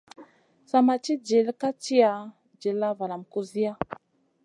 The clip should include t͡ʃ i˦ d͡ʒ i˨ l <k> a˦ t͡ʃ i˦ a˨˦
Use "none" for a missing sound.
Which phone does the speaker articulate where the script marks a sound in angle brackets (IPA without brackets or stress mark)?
k